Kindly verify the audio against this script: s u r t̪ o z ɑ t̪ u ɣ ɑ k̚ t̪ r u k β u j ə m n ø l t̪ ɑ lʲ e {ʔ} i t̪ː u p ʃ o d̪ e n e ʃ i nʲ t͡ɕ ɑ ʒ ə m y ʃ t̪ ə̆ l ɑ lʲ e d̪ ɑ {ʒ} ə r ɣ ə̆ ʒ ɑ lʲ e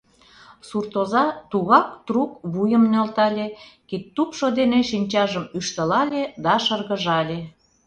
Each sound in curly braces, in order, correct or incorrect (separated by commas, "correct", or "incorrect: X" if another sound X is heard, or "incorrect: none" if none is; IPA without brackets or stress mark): incorrect: k, incorrect: ʃ